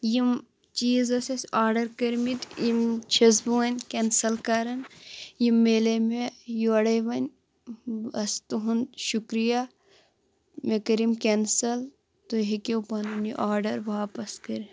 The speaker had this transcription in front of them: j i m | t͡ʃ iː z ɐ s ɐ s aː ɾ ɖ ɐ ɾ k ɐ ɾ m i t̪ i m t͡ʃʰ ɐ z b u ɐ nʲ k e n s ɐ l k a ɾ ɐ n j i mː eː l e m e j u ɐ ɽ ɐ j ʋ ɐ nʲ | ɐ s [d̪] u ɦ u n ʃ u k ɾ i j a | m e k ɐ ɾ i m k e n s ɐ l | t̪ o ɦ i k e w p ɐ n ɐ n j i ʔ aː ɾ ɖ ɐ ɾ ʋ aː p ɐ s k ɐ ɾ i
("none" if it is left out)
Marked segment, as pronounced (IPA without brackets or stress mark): t̪